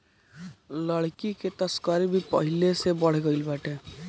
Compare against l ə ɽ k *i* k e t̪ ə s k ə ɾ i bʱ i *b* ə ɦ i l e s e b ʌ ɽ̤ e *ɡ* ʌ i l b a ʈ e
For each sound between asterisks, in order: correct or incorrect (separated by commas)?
correct, incorrect, correct